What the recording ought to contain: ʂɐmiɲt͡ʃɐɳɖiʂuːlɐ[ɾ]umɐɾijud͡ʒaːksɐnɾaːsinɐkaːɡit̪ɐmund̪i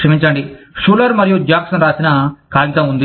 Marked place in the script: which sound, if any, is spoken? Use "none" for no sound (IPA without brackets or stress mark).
ɾ